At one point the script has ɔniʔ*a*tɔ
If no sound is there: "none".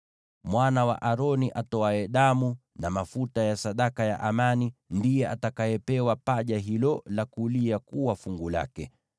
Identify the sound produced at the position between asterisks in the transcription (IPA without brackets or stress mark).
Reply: a